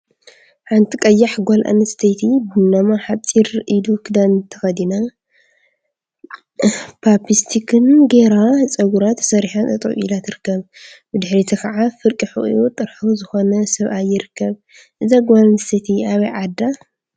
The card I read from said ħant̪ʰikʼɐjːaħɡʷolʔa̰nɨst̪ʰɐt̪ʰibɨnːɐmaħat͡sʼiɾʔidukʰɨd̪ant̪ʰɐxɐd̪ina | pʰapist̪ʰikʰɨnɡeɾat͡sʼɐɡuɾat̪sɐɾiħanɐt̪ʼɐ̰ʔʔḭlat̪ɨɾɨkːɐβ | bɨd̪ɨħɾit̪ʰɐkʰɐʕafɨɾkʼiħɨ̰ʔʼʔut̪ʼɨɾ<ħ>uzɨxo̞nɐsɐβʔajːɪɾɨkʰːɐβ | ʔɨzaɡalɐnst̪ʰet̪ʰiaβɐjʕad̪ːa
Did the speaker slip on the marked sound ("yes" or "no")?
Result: no